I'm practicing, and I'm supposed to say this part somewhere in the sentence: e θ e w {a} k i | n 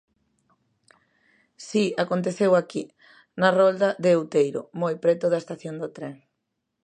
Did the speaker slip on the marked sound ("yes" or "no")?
no